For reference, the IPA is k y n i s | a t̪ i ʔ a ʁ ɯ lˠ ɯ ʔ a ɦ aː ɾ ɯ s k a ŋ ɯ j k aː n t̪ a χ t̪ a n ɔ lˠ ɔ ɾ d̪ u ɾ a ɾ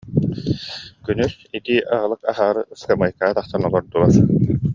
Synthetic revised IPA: k y n y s | i t̪ i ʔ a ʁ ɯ lˠ ɯ k a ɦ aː ɾ ɯ s k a m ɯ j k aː t̪ a χ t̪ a n ɔ lˠ ɔ ɾ d̪ u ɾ a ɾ